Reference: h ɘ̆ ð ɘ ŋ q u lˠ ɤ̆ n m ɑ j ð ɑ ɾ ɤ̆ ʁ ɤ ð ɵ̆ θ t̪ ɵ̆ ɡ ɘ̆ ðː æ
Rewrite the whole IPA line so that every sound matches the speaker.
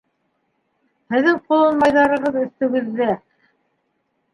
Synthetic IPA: h ɘ̆ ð ɘ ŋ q u lˠ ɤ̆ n m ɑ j ð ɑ ɾ ɤ̆ ʁ ɤ ð ɵ̆ θ t̪ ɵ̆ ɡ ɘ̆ ðː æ